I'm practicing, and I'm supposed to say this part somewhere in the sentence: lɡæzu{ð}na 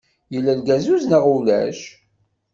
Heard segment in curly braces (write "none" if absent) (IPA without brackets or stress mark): z